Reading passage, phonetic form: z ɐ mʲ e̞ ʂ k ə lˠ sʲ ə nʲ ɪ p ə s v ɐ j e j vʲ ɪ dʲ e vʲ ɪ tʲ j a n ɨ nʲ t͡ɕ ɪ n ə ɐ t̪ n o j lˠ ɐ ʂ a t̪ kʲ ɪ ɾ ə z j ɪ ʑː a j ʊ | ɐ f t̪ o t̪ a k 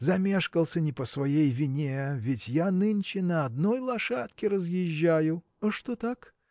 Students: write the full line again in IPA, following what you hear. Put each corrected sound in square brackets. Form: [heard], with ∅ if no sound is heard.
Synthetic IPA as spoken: z ɐ mʲ e̞ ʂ k ə lˠ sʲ ə nʲ ɪ p ə s v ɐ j e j vʲ ɪ [nʲ] e vʲ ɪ tʲ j a n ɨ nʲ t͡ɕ ɪ n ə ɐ [d̪] n o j lˠ ɐ ʂ a t̪ kʲ ɪ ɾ ə z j ɪ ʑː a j ʊ | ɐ [ʂ] t̪ o t̪ a k

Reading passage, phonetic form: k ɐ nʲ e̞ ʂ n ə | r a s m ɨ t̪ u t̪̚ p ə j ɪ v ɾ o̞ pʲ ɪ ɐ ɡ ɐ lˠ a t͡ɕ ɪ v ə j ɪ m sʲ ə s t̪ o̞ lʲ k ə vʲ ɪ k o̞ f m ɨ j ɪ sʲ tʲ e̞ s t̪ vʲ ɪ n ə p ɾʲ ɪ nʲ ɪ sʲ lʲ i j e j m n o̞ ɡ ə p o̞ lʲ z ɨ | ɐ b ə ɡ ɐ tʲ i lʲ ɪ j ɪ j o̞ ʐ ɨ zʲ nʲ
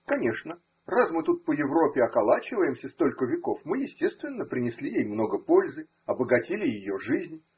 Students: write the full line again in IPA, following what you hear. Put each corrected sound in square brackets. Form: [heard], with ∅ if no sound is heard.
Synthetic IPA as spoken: k ɐ nʲ e̞ ʂ n ə | r a s m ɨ t̪ u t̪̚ p ə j ɪ v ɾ o̞ pʲ ɪ ɐ [k] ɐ lˠ a t͡ɕ ɪ v ə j ɪ m sʲ ə s t̪ o̞ lʲ k ə vʲ ɪ k o̞ f m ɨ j ɪ sʲ tʲ e̞ s t̪ vʲ ɪ [nː] ə p ɾʲ ɪ nʲ ɪ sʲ lʲ i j e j m n o̞ ɡ ə p o̞ lʲ z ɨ | ɐ b ə ɡ ɐ tʲ i lʲ ɪ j ɪ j o̞ ʐ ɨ zʲ nʲ

